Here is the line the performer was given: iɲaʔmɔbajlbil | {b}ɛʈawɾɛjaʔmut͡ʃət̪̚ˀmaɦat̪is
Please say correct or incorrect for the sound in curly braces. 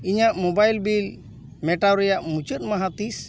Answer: incorrect